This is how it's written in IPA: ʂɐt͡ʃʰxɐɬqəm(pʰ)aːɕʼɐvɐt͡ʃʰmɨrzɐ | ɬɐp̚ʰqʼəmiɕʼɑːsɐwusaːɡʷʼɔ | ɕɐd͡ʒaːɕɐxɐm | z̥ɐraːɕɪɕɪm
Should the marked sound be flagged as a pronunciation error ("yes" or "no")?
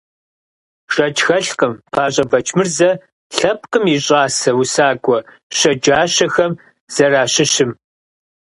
no